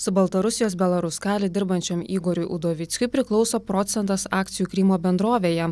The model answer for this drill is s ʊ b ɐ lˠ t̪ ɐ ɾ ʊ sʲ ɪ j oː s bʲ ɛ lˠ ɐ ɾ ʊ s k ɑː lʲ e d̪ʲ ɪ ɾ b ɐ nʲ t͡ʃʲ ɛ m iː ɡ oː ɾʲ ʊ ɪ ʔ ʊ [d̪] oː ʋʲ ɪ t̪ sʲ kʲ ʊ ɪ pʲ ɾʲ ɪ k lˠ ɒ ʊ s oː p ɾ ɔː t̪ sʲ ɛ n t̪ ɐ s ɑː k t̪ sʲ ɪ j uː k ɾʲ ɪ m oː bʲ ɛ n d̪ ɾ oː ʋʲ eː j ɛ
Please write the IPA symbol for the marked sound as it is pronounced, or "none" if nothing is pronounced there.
d̪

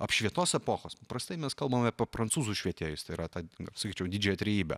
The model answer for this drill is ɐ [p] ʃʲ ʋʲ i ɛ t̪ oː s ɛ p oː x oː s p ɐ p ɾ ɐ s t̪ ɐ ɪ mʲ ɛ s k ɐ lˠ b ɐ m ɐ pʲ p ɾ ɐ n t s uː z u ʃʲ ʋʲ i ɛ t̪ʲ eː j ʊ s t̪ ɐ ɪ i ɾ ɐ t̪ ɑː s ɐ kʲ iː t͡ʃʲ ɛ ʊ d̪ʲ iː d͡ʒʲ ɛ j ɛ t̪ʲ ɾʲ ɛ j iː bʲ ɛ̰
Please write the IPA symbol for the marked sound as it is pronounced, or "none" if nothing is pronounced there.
p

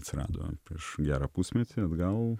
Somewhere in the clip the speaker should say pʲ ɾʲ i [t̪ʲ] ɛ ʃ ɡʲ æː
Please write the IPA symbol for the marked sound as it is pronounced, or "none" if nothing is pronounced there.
none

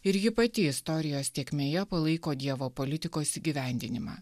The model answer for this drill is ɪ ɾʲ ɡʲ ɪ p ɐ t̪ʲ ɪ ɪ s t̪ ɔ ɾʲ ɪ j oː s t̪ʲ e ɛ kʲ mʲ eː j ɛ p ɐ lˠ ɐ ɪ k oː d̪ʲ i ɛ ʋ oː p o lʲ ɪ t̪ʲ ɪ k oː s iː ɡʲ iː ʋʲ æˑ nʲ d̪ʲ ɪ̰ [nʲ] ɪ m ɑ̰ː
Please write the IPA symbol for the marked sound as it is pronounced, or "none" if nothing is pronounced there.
nʲ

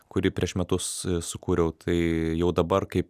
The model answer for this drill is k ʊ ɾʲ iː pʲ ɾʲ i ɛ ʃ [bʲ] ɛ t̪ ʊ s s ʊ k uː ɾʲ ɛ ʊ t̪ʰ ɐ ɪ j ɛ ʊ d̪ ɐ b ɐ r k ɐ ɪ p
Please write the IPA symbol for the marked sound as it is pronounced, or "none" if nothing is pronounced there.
mʲ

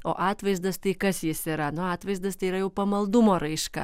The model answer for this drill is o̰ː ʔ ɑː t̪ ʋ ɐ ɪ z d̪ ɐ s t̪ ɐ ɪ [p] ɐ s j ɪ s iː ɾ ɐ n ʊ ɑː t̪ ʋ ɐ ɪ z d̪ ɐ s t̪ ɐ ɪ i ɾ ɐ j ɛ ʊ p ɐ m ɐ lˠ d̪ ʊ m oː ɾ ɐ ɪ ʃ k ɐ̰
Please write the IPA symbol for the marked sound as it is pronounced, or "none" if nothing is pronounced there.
k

